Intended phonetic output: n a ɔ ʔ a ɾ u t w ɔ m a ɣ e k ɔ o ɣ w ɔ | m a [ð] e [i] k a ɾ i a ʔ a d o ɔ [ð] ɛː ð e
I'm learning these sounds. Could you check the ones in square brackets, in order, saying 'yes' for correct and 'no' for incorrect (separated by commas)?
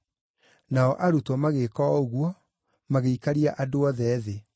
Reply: no, yes, yes